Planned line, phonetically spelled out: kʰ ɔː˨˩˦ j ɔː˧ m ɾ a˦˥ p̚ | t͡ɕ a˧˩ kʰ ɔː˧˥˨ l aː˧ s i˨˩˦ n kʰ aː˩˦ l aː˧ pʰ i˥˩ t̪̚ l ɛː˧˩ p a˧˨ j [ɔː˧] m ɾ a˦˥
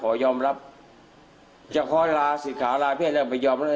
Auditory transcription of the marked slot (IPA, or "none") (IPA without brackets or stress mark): ɔː˧